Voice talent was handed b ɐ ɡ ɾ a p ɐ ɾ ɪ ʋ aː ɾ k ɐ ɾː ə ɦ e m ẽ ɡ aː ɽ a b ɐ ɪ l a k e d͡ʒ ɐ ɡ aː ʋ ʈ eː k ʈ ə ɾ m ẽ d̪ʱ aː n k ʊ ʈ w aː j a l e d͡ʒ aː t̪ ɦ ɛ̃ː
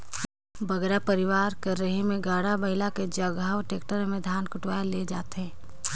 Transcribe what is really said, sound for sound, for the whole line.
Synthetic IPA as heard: b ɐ ɡ ɾ a p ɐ ɾ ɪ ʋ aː ɾ k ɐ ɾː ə ɦ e m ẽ ɡ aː ɽ a b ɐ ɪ l a k e d͡ʒ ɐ ɡ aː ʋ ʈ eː k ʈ ə ɾ m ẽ d̪ʱ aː n k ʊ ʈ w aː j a l e d͡ʒ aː t̪ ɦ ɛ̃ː